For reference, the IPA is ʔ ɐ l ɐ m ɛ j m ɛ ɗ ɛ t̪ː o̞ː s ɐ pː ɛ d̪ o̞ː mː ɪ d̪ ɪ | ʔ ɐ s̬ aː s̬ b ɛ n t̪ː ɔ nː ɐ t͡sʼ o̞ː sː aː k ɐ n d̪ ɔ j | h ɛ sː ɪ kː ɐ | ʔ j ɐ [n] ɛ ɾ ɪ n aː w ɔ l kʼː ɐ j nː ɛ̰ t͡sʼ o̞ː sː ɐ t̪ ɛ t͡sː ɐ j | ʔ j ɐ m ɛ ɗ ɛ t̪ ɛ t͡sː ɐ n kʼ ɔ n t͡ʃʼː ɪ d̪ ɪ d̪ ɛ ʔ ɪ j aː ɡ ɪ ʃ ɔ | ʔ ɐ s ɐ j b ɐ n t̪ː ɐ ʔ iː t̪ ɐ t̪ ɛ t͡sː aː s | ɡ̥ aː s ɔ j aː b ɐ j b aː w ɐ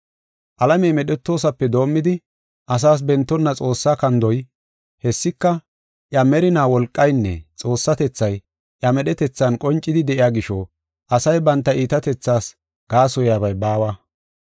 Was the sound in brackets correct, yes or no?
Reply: no